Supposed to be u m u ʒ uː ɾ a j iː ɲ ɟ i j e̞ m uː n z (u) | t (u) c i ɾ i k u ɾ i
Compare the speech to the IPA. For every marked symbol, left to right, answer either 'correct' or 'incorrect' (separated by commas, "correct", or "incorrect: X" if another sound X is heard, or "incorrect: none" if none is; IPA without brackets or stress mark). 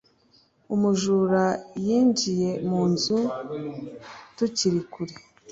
correct, correct